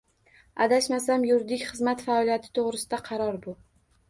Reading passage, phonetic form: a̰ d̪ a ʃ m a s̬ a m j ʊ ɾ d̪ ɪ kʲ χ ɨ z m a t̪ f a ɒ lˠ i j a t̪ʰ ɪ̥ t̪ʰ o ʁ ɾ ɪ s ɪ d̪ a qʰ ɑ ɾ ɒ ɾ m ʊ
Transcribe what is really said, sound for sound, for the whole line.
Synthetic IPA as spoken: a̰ d̪ a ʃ m a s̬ a m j ʊ ɾ d̪ ɪ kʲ χ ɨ z m a t̪ f a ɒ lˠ i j a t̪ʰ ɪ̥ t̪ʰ o ʁ ɾ ɪ s ɪ d̪ a qʰ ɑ ɾ ɒ ɾ b ʊ